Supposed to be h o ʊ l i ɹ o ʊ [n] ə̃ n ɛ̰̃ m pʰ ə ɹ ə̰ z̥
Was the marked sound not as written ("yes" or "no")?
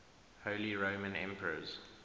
yes